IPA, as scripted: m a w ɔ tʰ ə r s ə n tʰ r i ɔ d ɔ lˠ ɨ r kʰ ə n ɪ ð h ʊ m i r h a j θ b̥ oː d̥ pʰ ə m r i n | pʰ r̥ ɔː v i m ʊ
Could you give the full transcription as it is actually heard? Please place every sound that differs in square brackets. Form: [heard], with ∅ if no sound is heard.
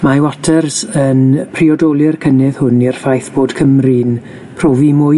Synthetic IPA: m a w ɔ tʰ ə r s ə n [pʰ] r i ɔ d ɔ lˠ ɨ r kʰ ə n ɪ ð h ʊ [n] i r [f] a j θ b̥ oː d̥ [kʰ] ə m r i n | pʰ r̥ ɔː v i m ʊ